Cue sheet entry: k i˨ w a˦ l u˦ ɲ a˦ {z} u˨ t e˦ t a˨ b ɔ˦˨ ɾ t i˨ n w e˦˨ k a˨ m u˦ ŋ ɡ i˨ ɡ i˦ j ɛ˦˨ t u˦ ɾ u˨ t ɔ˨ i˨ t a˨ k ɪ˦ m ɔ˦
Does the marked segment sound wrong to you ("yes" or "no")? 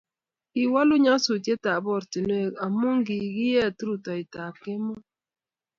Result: yes